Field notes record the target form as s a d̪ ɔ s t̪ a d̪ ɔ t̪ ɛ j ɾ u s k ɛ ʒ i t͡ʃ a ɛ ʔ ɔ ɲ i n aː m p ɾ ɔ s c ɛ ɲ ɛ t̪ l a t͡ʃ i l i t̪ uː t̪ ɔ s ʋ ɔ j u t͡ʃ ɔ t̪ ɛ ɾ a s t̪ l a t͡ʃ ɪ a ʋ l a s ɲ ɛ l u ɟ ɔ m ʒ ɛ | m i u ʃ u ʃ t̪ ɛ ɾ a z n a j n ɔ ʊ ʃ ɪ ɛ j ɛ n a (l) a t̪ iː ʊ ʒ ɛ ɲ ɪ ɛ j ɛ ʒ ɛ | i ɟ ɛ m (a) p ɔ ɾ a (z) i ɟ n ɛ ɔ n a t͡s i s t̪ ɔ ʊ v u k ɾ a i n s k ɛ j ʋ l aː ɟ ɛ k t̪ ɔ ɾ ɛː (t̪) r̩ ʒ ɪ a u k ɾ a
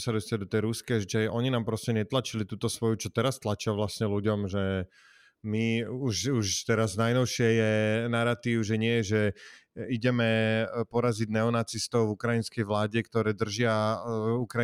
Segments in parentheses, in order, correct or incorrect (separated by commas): incorrect, incorrect, correct, incorrect